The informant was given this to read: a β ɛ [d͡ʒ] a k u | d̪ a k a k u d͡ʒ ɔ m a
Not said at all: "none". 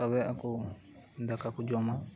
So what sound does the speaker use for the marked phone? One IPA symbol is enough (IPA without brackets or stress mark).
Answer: none